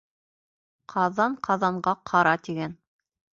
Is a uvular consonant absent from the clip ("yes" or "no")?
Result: no